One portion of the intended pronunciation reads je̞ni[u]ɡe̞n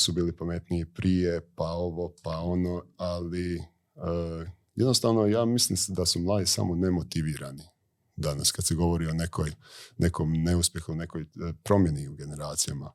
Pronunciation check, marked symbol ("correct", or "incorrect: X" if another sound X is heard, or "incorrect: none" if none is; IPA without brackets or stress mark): correct